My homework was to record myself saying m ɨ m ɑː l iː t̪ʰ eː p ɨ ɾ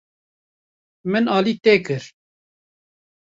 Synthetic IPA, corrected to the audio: m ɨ n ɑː l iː t̪ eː k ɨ ɾ